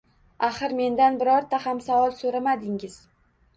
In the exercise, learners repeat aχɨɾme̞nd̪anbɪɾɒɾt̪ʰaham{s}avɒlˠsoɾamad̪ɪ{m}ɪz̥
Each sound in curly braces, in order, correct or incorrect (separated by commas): correct, incorrect